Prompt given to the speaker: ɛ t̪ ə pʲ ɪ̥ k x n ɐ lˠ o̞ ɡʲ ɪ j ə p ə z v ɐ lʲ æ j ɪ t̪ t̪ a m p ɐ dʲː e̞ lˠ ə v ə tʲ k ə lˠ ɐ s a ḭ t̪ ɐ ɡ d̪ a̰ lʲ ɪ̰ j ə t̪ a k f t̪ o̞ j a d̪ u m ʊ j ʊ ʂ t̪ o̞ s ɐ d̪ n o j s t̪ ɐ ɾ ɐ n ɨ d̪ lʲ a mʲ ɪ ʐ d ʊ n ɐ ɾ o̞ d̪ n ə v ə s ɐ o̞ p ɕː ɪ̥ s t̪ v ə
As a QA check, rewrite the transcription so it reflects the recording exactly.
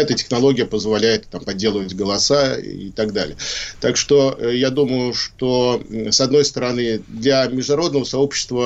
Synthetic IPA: ɛ t̪ ə tʲ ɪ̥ x n ɐ lˠ o̞ ɡʲ ɪ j ə p ə z v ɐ lʲ æ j ɪ t̪ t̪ a m p ɐ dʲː e̞ lˠ ə v ə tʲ ɡ ə lˠ ɐ s a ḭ t̪ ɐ ɡ d̪ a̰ lʲ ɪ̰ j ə t̪ a k ʂ t̪ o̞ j a d̪ u m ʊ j ʊ ʂ t̪ o̞ s ɐ d̪ n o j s t̪ ə ɾ ɐ n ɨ d̪ lʲ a mʲ ɪ ʐ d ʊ n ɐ ɾ o̞ d̪ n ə v ə s ɐ o̞ p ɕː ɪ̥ s t̪ v ə